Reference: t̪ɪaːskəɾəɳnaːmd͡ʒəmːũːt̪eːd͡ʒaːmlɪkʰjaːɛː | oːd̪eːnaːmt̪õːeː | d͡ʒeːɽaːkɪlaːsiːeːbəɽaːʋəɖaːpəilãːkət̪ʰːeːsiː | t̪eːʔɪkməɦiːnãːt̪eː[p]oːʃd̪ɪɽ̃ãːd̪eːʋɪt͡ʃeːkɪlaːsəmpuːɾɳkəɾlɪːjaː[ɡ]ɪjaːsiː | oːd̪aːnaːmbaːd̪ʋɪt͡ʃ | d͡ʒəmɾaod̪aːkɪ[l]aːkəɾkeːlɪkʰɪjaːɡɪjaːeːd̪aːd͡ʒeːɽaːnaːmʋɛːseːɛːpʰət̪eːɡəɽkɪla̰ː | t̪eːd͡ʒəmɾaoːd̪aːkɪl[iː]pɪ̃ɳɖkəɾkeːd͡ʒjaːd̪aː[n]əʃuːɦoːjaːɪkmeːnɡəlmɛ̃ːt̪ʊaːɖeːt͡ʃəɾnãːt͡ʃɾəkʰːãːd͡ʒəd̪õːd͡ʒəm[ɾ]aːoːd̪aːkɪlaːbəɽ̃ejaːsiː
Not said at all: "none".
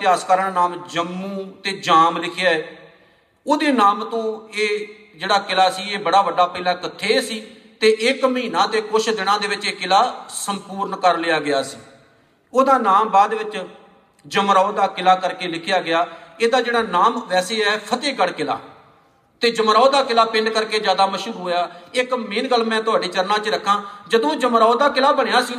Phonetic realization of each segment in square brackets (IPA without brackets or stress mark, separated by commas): k, ɡ, l, aː, m, ɾ